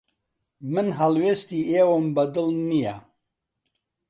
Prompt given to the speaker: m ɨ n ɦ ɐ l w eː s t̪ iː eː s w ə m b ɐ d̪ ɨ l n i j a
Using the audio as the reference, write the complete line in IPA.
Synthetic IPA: m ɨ n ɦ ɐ l w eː s t̪ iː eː w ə m b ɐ d̪ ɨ l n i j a